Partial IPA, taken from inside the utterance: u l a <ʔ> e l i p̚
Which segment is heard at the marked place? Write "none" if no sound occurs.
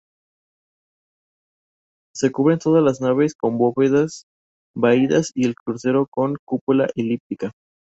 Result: ʔ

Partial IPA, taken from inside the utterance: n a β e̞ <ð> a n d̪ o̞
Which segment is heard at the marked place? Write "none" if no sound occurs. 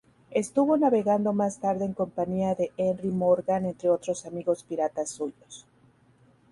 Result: ɣ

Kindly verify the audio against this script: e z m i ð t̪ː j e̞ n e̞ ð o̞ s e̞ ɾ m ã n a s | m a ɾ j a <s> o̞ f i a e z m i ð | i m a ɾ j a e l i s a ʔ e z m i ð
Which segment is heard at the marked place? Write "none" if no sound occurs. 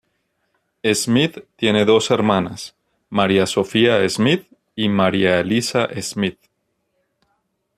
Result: s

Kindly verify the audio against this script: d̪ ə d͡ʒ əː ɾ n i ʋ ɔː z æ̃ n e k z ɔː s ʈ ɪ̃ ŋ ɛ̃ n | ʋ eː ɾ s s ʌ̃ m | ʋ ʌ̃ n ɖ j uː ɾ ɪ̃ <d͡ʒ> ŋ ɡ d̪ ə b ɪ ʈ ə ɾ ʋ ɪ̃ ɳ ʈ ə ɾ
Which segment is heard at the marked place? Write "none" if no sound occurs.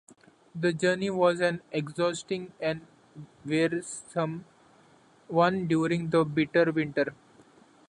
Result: none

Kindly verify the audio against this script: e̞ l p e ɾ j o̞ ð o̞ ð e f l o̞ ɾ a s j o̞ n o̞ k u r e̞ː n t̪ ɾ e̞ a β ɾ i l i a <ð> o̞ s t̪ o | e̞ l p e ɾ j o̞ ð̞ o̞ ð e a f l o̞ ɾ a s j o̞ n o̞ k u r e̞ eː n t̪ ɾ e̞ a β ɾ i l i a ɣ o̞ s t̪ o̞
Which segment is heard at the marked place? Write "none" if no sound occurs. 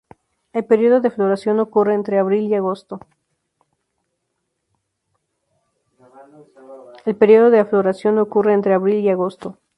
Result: ɣ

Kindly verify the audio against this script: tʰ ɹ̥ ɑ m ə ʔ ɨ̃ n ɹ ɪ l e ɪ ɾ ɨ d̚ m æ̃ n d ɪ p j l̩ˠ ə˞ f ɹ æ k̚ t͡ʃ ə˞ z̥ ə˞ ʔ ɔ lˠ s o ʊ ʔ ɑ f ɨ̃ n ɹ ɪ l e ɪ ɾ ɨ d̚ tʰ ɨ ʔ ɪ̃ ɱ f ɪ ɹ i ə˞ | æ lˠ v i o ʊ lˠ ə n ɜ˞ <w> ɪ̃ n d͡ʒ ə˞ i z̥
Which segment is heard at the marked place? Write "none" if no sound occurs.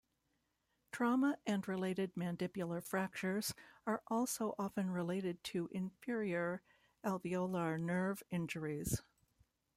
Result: v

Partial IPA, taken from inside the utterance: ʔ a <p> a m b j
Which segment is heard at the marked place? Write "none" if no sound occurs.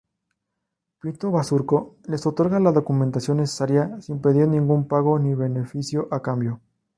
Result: k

